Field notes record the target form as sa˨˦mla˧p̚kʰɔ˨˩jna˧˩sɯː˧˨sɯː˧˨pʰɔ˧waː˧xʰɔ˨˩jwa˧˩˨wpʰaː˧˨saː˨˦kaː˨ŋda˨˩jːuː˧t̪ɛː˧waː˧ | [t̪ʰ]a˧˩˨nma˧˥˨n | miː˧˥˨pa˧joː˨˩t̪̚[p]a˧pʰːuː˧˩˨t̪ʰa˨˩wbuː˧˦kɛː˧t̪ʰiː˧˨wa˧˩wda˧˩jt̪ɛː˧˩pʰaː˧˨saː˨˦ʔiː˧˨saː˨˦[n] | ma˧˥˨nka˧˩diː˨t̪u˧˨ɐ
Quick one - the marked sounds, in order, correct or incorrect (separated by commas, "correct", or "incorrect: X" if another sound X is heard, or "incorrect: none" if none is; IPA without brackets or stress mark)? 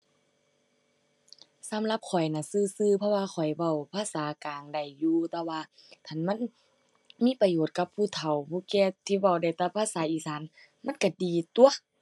correct, incorrect: k, correct